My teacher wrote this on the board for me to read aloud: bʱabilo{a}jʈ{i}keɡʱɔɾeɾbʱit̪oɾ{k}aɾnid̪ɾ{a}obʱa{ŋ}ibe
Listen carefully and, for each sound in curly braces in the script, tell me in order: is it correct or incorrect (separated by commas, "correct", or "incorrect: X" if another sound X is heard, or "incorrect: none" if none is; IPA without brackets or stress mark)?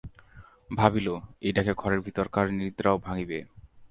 incorrect: e, incorrect: a, correct, correct, correct